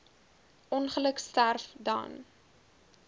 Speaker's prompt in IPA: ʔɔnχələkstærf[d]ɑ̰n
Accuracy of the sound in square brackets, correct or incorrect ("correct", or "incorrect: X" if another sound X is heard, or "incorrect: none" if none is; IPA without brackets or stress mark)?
correct